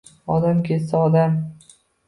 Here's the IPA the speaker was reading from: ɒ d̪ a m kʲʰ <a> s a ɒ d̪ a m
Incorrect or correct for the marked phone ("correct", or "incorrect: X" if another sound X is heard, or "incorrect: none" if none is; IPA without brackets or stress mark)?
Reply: incorrect: e